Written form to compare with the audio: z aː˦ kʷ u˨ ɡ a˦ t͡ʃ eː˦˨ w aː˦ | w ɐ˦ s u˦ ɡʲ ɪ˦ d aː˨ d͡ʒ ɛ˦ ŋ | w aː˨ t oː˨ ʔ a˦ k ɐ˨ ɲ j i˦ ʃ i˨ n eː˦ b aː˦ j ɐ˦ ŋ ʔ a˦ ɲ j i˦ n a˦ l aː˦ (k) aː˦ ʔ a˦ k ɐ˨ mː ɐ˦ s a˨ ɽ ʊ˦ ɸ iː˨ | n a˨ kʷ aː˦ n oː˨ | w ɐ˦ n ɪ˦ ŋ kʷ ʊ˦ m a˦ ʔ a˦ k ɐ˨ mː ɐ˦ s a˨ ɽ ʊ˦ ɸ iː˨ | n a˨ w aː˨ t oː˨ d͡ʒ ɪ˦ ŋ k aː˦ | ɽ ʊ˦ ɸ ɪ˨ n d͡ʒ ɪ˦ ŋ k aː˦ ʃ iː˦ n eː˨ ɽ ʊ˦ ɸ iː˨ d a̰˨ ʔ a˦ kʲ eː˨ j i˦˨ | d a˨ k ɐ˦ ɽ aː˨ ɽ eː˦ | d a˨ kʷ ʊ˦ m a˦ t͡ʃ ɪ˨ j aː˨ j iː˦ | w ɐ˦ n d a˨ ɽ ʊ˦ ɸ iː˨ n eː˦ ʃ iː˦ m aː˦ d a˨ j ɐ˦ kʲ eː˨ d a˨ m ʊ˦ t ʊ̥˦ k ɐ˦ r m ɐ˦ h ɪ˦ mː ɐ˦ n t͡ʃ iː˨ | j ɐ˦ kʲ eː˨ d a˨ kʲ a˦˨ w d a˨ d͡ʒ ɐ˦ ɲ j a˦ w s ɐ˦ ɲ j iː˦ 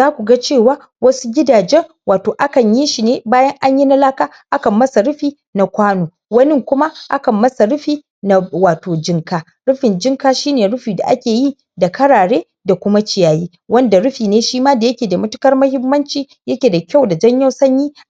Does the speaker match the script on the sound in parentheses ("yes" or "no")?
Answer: yes